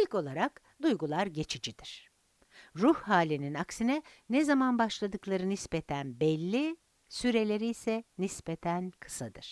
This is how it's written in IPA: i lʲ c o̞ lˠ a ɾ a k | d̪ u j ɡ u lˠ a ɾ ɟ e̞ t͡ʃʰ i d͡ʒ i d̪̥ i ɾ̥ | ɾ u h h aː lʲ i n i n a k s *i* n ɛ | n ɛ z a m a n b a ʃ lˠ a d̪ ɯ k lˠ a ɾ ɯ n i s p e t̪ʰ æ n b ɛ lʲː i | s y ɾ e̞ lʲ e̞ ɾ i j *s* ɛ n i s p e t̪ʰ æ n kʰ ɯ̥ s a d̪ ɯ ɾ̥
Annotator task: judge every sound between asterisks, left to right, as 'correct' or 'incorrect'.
correct, correct

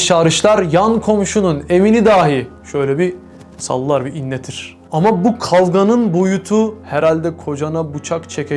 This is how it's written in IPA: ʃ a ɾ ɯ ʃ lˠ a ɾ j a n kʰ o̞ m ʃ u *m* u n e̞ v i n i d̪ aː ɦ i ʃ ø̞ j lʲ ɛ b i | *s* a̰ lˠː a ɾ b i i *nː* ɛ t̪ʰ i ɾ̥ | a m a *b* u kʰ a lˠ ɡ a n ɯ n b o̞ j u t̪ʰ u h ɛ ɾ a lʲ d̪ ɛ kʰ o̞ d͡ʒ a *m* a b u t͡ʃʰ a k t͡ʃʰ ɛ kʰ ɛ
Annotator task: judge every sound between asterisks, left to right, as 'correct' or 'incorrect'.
incorrect, correct, correct, correct, incorrect

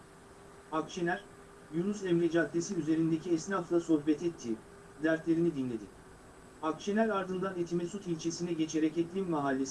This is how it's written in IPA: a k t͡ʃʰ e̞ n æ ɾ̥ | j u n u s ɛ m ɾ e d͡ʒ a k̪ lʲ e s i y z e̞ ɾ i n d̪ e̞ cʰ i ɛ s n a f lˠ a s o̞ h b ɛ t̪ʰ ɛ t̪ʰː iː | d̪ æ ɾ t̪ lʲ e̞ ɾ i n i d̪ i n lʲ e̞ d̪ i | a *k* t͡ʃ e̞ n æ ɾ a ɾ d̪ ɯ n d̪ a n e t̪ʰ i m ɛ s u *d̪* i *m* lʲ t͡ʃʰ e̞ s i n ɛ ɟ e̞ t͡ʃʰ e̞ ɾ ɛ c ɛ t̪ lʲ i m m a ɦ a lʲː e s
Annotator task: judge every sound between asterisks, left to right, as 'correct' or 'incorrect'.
correct, incorrect, incorrect

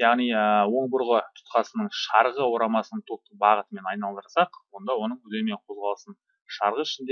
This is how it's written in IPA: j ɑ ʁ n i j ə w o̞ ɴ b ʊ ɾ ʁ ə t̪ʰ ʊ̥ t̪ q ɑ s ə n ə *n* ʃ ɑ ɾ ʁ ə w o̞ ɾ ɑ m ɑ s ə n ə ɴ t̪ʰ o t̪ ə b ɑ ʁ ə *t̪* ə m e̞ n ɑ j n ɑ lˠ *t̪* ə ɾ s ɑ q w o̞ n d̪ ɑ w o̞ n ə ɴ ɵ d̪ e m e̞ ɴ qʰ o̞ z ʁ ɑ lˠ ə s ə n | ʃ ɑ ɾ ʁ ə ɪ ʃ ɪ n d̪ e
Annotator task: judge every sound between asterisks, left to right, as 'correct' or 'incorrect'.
incorrect, correct, incorrect

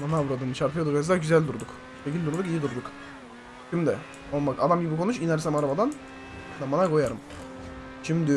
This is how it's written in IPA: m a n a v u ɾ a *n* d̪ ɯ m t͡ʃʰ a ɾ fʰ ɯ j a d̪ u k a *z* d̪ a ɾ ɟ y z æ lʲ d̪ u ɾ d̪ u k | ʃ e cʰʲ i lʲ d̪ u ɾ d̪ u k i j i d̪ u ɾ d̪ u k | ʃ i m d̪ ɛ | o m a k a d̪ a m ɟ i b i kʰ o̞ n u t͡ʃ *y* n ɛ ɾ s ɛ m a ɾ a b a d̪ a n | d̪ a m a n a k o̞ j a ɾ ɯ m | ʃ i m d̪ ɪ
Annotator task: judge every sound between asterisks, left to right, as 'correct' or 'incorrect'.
incorrect, correct, incorrect

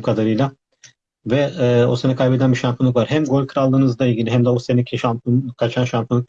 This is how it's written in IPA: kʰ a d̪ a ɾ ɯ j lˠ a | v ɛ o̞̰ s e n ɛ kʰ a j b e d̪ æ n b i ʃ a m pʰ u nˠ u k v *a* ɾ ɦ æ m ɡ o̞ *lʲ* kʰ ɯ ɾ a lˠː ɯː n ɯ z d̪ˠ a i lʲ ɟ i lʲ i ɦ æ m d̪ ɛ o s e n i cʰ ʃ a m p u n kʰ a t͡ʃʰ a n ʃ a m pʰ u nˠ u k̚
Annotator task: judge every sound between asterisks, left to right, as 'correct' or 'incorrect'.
correct, correct

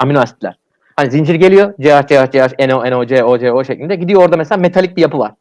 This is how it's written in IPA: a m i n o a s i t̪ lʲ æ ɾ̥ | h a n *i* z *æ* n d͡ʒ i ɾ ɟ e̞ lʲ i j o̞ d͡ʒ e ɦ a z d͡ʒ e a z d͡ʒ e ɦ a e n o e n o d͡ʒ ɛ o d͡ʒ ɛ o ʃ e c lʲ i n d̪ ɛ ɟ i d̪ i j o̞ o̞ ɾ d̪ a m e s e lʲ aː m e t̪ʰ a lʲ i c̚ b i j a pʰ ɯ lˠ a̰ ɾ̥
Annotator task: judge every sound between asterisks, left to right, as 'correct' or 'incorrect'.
correct, incorrect

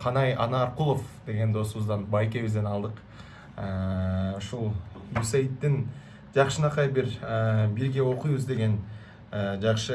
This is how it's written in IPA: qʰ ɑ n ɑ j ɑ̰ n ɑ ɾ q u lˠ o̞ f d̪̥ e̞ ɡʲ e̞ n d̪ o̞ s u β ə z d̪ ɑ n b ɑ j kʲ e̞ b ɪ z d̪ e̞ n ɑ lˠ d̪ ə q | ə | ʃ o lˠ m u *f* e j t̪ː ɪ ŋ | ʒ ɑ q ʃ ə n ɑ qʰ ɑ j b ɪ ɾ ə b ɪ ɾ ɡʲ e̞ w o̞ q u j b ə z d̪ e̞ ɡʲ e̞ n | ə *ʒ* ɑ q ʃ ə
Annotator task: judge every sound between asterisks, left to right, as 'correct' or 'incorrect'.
incorrect, correct

